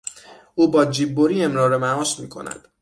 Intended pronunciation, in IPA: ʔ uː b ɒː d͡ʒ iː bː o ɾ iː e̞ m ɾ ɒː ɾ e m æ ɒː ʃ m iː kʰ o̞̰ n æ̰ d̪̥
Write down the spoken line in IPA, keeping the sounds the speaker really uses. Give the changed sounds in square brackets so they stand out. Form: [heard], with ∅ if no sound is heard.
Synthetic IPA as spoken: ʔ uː b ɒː d͡ʒ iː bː o ɾ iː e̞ m ɾ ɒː ɾ e m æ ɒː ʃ m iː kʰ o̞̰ n æ̰ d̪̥